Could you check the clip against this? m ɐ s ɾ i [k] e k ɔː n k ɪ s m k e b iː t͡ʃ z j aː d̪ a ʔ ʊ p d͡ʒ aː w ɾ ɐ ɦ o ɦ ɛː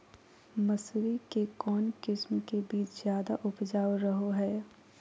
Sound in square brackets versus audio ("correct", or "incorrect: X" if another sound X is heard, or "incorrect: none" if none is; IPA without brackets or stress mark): correct